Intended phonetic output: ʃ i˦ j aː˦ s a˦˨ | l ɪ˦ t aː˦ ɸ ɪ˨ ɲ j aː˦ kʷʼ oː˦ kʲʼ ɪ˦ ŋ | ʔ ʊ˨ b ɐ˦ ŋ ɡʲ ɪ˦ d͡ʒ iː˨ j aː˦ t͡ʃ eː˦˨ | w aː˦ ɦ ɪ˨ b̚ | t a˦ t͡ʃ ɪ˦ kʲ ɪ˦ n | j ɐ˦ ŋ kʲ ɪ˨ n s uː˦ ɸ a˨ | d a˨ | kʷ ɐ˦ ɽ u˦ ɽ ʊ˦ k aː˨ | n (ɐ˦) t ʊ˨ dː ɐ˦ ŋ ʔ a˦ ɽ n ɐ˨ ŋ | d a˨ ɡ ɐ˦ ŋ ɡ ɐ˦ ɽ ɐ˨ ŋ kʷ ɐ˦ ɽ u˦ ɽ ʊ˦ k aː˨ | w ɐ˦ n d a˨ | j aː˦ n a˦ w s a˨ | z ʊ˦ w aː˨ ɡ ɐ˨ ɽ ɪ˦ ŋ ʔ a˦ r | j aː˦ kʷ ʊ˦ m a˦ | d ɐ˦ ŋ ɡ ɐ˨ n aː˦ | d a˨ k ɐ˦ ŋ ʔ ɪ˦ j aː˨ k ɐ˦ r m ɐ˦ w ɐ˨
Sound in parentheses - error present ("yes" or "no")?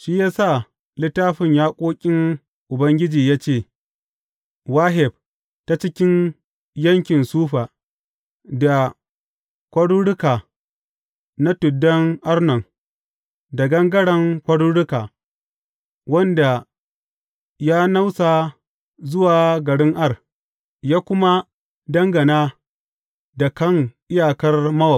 yes